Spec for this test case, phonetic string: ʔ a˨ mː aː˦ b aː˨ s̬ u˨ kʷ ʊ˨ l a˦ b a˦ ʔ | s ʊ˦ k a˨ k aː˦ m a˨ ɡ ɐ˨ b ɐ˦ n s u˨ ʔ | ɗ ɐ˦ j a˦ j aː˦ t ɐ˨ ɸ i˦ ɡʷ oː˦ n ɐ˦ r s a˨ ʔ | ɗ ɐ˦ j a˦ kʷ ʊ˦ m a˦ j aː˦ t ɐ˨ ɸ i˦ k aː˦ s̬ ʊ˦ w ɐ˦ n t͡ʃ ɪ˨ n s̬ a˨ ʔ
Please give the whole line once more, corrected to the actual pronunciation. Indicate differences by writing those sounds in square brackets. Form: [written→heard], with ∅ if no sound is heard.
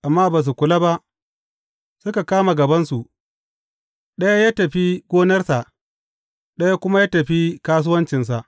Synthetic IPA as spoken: ʔ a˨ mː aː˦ b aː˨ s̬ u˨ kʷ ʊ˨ l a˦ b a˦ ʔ | s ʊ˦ k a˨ k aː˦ m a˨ ɡ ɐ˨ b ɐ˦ n s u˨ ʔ | ɗ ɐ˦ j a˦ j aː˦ t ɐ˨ ɸ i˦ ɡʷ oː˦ n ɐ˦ r s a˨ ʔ | ɗ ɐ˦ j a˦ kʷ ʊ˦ m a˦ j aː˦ t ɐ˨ ɸ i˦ k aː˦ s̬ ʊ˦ w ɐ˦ n t͡ʃ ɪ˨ n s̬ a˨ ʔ